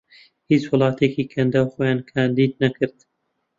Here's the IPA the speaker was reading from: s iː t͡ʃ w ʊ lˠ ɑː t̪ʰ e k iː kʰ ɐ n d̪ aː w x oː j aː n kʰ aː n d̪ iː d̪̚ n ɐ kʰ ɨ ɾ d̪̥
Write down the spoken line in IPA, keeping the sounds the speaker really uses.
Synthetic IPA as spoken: h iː t͡ʃ w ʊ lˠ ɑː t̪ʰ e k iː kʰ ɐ n d̪ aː w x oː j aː n kʰ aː n d̪ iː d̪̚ n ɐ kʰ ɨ ɾ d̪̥